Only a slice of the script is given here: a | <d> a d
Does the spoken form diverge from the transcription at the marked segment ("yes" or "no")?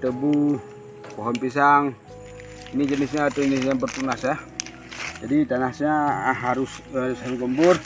yes